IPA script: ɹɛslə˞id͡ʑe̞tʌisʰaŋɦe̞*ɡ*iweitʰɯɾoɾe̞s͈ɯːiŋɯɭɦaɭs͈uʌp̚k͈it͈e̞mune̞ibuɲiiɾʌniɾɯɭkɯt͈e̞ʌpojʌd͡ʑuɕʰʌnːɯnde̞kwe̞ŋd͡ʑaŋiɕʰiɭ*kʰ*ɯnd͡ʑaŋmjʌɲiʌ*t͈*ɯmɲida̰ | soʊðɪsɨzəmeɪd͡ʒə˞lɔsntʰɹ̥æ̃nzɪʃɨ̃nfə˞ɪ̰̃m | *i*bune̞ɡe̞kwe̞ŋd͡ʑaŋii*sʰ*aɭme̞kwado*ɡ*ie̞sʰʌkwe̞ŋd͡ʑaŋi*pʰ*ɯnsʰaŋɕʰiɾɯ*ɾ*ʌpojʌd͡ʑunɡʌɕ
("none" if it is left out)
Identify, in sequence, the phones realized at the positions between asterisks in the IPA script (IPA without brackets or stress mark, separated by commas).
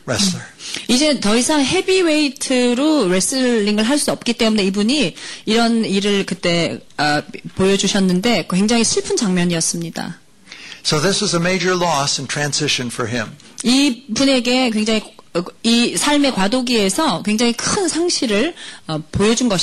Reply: b, pʰ, s͈, i, sʰ, ɡ, kʰ, ɭ